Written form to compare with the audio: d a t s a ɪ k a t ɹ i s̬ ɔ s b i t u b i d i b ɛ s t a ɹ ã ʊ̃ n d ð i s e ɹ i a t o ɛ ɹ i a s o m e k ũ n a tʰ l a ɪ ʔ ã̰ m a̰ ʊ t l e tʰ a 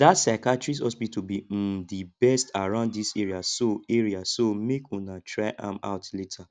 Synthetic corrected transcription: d a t s a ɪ k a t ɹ i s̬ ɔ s b i t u b i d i b ɛ s t a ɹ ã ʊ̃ n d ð i s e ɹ i a s o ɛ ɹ i a s o m e k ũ n a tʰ ɹ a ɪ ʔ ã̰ m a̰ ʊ t l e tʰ a